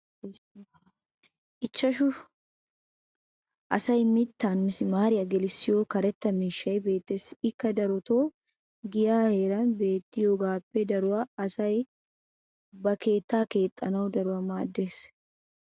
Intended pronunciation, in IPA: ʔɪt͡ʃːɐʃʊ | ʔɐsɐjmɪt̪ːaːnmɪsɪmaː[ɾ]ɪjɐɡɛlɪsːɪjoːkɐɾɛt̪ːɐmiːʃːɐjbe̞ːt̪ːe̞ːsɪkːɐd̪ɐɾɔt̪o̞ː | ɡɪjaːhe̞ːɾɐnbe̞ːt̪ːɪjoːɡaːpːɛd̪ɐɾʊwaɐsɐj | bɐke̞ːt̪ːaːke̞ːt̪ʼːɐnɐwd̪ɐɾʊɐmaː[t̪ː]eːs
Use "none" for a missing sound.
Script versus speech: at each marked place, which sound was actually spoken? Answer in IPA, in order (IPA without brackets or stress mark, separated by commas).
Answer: ɾ, d̪ː